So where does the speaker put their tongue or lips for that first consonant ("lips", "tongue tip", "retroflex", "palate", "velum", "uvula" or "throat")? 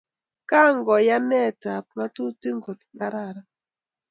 velum